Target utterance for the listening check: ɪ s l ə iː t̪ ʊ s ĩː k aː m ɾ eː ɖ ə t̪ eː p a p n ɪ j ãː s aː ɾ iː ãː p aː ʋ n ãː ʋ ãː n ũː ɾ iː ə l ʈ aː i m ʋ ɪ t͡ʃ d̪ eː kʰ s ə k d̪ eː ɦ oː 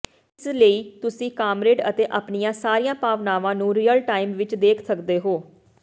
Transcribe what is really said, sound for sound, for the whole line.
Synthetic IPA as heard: ɪ s l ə iː t̪ ʊ s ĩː k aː m ɾ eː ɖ ə t̪ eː ʔ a p n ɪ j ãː s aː ɾ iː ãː p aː ʋ n aː ʋ ãː n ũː ɾ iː ə l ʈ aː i m ʋ ɪ t͡ʃ d̪ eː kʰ s ə k d̪ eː ɦ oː